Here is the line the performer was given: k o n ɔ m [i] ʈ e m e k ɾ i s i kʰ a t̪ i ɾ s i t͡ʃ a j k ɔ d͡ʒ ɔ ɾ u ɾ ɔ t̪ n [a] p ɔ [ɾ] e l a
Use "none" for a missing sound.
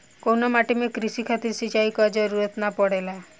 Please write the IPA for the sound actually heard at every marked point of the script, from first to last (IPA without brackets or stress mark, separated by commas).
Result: a, a, ɽ